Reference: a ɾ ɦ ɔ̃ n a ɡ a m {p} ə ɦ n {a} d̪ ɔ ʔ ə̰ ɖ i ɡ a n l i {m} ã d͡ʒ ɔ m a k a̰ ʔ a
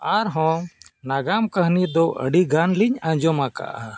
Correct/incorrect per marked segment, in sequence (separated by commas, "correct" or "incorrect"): incorrect, incorrect, incorrect